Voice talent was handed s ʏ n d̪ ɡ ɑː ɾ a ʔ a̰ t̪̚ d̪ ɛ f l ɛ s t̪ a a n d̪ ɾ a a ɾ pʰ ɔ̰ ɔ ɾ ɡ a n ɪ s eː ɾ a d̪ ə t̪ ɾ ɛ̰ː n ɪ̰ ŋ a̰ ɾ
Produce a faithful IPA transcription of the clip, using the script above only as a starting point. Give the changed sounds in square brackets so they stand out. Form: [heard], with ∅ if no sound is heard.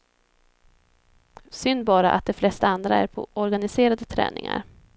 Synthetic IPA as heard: s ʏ n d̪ [b] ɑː ɾ a ʔ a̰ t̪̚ d̪ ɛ f l ɛ s t̪ a a n d̪ ɾ a [æ] ɾ pʰ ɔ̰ ɔ ɾ ɡ a n ɪ s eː ɾ a d̪ ə [t̪ʰ] ɾ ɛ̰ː n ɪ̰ ŋ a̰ ɾ

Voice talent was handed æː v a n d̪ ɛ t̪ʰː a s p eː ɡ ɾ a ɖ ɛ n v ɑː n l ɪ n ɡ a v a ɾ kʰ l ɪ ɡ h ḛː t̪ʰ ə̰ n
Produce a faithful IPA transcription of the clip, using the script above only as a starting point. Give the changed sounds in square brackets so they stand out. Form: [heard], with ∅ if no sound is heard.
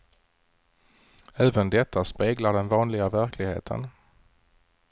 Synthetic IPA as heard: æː v [ə] n d̪ ɛ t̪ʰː a s p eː ɡ [l] a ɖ ɛ n v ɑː n l ɪ [∅] ɡ a v [æ] ɾ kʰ l ɪ ɡ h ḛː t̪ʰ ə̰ n

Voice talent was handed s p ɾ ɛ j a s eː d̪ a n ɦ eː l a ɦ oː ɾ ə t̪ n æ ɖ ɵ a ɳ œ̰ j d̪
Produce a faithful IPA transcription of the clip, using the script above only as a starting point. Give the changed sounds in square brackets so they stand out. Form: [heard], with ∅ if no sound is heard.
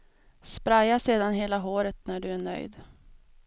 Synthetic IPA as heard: s p ɾ [a] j a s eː d̪ a n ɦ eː l a ɦ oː ɾ ə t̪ n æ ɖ ɵ [æ] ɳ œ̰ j d̪

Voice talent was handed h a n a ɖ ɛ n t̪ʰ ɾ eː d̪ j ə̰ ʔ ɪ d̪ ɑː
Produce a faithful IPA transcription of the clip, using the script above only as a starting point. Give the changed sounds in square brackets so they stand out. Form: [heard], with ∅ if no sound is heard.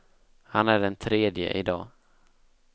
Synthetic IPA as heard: h a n [æ] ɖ ɛ n t̪ʰ ɾ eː d̪ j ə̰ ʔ ɪ d̪ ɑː

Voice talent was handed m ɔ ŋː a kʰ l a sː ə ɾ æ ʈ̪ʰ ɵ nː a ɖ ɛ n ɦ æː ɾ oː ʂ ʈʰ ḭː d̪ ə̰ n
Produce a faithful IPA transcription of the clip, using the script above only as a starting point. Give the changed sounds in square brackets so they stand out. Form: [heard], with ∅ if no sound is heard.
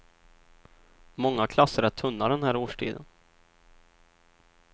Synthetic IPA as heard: m ɔ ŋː a kʰ l a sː ə ɾ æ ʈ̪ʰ ɵ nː a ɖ ɛ n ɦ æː ɾ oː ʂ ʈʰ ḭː d̪ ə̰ n

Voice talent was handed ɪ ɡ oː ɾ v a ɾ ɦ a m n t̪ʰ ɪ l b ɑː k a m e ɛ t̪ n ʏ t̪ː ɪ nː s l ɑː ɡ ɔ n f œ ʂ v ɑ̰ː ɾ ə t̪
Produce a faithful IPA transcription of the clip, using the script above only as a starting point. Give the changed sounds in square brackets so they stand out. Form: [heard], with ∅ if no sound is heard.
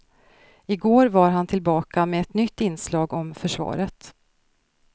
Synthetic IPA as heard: ɪ ɡ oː ɾ v a ɾ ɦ a [∅] n t̪ʰ ɪ l b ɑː k a m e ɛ t̪ n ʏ t̪ː ɪ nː s l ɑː ɡ ɔ [m] f œ ʂ v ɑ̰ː ɾ ə t̪

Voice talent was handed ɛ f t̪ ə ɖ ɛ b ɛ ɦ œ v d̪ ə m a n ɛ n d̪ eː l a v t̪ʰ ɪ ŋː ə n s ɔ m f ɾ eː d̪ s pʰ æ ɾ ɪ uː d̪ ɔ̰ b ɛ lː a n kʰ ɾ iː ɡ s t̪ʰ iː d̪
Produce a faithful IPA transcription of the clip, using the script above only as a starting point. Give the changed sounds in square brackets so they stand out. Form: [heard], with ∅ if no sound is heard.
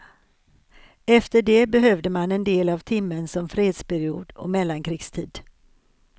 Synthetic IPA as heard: ɛ f t̪ ə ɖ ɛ b ɛ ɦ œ v d̪ ə m a n ɛ n d̪ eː l a v t̪ʰ ɪ [mː] ə n s ɔ m f ɾ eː d̪ s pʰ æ ɾ ɪ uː d̪ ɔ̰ [m] ɛ lː a n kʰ ɾ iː ɡ s t̪ʰ iː d̪

